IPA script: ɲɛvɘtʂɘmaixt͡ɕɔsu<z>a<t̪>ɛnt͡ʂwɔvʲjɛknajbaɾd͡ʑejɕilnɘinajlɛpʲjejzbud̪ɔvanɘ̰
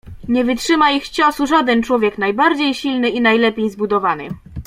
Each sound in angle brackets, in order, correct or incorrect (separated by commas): incorrect, incorrect